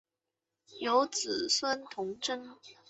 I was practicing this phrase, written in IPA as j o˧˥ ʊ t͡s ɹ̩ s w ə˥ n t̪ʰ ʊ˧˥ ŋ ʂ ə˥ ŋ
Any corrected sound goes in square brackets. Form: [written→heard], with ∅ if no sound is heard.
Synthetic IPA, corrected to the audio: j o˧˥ ʊ t͡s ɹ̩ s w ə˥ n t̪ʰ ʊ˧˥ ŋ [ʂ→ʈ͡ʂ] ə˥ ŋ